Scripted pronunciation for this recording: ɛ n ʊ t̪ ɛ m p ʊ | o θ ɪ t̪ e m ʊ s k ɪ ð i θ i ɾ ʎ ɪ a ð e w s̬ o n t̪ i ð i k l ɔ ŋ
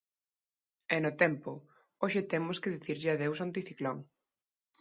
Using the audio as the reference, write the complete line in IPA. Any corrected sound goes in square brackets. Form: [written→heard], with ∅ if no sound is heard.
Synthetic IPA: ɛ n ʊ t̪ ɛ m p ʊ | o [θ→ʃ] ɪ t̪ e m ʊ s k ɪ ð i θ i ɾ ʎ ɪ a ð e w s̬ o n t̪ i [ð→θ] i k l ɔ ŋ